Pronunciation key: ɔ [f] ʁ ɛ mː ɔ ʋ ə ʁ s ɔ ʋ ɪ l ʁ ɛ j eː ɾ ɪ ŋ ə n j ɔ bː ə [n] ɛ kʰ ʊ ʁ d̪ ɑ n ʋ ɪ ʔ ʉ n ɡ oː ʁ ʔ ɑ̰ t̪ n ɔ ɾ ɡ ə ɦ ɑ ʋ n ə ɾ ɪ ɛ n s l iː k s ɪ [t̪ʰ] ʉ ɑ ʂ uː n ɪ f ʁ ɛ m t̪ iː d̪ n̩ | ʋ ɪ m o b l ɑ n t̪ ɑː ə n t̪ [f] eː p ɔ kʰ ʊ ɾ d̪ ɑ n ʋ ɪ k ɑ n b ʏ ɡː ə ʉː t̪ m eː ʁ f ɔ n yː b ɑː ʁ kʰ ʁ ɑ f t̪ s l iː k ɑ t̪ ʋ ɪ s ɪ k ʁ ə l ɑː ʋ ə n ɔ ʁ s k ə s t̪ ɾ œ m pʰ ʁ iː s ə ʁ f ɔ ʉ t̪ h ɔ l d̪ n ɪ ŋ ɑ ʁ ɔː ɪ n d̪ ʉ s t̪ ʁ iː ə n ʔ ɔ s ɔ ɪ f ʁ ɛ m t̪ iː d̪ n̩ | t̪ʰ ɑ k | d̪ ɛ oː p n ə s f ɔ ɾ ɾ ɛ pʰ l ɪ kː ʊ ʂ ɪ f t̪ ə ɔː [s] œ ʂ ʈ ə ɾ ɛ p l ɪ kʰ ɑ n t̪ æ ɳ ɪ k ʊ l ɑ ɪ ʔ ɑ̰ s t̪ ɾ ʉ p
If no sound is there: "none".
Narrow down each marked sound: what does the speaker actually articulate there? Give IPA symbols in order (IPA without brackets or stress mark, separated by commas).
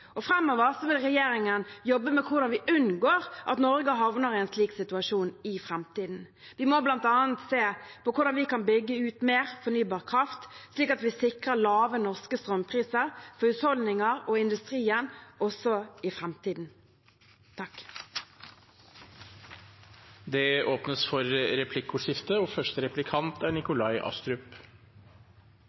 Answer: f, m, t̪, s, f